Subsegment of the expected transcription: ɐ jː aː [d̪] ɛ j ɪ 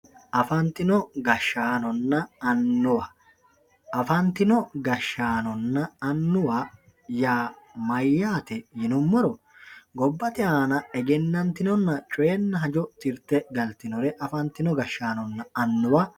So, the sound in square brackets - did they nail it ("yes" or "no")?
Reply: no